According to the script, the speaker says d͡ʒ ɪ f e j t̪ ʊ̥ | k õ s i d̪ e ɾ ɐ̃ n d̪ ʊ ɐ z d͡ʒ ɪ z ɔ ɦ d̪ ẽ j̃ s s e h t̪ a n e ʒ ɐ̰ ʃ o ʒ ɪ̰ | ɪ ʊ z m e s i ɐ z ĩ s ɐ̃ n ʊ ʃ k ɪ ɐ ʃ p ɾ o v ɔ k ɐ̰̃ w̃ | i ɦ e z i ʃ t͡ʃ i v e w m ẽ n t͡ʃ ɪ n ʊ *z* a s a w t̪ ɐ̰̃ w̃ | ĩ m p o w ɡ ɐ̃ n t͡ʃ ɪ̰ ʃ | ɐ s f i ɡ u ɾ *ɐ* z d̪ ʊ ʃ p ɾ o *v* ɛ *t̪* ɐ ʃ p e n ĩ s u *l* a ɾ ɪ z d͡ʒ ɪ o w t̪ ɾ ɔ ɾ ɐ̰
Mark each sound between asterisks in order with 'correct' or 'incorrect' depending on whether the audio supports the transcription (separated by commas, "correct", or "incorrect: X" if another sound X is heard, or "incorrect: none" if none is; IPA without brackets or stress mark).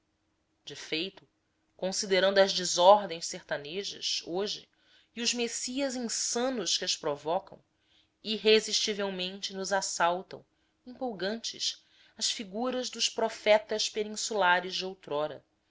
correct, correct, incorrect: f, correct, correct